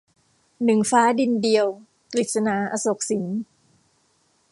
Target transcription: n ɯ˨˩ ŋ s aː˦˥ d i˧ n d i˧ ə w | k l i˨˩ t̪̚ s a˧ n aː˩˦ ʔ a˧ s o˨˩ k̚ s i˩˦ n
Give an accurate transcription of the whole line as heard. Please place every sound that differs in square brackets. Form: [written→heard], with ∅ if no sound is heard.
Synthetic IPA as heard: n ɯ˨˩ ŋ [s→f] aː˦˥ d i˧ n d i˧ ə w | k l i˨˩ t̪̚ s a˧ n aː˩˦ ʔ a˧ s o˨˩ k̚ s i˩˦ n